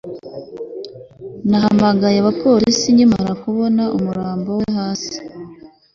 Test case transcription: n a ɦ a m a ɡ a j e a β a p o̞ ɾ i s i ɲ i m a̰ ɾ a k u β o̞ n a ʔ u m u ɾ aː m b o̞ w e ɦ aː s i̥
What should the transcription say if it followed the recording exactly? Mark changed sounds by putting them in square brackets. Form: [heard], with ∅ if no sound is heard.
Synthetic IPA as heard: n a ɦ a m a ɡ a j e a β a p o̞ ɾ i s i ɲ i m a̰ ɾ a k u β o̞ n a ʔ u m u ɾ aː m b o̞ w e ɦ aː s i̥